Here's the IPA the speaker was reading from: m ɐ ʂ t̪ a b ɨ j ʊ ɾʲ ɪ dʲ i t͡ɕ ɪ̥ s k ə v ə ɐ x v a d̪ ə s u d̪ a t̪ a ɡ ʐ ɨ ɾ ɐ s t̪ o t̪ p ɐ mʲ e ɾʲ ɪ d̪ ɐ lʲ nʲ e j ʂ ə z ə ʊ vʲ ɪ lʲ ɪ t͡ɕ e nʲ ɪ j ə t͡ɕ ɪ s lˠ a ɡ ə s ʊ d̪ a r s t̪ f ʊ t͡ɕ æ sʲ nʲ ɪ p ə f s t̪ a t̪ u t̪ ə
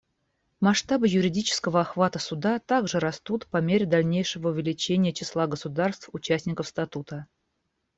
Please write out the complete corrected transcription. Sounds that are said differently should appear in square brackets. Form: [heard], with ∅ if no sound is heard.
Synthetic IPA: m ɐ ʂ t̪ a b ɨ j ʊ ɾʲ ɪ dʲ i t͡ɕ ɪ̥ s k ə v ə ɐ x v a [t̪] ə s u d̪ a t̪ a ɡ ʐ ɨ ɾ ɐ s t̪ [u] t̪ p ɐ mʲ e ɾʲ ɪ d̪ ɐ lʲ nʲ e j ʂ ə [v] ə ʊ vʲ ɪ lʲ ɪ t͡ɕ e nʲ ɪ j ə t͡ɕ ɪ s lˠ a ɡ ə s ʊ d̪ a r s t̪ f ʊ t͡ɕ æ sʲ nʲ ɪ [k] ə f s t̪ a t̪ u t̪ ə